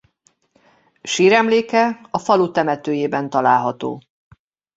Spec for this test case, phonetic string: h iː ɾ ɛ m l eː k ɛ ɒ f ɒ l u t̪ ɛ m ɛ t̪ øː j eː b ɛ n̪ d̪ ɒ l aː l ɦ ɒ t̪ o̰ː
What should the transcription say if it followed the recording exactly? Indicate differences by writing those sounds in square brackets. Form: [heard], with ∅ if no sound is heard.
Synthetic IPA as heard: [ʃ] iː ɾ ɛ m l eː k ɛ ɒ f ɒ l u t̪ ɛ m ɛ t̪ øː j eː b ɛ n̪ [t̪] ɒ l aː l ɦ ɒ t̪ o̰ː